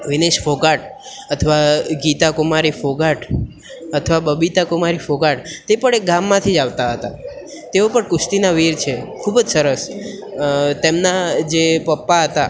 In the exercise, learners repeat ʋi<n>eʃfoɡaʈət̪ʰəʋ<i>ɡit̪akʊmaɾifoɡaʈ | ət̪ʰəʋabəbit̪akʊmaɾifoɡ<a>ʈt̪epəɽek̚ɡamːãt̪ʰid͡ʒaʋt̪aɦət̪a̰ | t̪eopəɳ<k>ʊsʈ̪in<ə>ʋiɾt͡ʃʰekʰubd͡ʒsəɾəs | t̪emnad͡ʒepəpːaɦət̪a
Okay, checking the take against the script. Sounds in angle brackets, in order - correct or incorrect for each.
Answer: correct, incorrect: a, correct, correct, incorrect: a

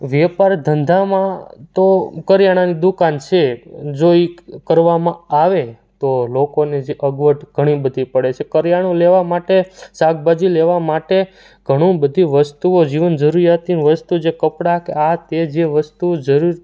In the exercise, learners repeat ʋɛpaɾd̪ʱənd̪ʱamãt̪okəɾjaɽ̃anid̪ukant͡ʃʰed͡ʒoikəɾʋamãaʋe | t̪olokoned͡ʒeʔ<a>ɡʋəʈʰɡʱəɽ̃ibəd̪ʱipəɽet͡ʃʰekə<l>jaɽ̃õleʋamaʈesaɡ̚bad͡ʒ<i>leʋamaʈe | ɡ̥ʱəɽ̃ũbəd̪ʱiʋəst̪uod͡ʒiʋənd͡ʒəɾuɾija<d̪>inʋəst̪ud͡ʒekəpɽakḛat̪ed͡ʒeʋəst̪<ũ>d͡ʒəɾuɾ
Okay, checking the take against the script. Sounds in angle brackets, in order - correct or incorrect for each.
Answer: incorrect: ə, incorrect: ɾ, correct, incorrect: t̪, incorrect: u

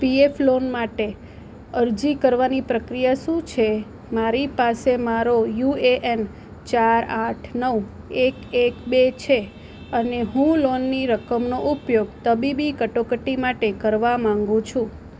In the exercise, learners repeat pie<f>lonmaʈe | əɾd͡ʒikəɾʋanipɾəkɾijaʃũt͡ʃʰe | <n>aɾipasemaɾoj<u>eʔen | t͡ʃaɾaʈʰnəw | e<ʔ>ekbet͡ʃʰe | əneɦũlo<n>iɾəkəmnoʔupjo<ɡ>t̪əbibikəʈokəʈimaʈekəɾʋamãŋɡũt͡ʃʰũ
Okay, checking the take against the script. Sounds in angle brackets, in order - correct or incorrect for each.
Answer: correct, incorrect: m, correct, incorrect: k, incorrect: nː, correct

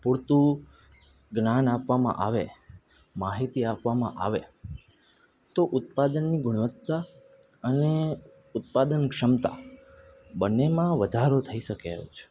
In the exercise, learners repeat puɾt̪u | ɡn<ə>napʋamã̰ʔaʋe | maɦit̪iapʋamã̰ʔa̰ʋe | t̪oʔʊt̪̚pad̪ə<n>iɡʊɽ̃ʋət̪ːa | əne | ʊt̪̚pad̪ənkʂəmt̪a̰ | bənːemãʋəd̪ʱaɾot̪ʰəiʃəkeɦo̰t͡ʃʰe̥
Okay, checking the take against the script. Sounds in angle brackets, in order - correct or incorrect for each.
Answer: incorrect: a, incorrect: nː

